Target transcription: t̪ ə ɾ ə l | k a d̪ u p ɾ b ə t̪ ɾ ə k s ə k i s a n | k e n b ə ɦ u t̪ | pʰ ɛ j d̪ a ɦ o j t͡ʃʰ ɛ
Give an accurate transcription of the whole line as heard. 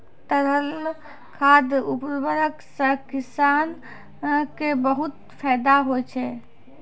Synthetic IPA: t̪ ə ɾ ə l | kʰ a d̪ u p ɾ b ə ɾ ə k s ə k i s a n | k e b ə ɦ u t̪ | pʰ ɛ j d̪ a ɦ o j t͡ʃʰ ɛ